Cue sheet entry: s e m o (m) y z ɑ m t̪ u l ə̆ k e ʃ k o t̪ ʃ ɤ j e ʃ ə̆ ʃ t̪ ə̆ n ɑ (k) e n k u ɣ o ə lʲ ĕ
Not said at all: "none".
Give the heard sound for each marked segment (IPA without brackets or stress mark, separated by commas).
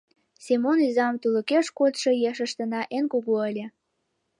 n, ʔ